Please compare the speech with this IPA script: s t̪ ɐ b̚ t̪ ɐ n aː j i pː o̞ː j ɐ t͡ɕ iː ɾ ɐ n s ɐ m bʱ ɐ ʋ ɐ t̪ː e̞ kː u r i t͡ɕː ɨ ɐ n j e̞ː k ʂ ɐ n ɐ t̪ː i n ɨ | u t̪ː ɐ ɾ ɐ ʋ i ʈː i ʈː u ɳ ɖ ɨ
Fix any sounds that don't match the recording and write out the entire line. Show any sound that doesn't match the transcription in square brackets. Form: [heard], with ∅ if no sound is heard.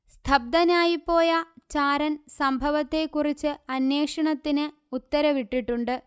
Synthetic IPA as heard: s [t̪ʰ] ɐ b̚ [d̪] ɐ n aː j i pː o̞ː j ɐ t͡ɕ [aː] ɾ ɐ n s ɐ m bʱ ɐ ʋ ɐ t̪ː e̞ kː u r i t͡ɕː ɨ ɐ n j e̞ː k ʂ ɐ [ɳ] ɐ t̪ː i n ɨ | u t̪ː ɐ ɾ ɐ ʋ i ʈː i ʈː u ɳ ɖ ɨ